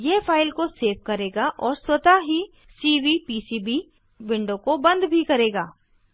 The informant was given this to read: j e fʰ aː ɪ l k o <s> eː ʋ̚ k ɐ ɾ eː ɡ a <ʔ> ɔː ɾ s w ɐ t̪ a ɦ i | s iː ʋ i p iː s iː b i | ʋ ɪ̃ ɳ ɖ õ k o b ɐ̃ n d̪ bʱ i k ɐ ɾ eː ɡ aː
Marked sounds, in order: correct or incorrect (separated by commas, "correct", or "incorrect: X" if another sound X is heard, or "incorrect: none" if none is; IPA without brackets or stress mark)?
correct, correct